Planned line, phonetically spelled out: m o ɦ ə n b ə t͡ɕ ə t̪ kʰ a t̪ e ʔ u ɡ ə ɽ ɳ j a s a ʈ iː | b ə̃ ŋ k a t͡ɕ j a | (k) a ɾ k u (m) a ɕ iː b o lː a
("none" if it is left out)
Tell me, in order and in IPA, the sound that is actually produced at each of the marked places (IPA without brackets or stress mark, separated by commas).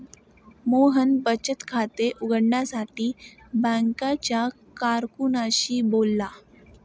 k, n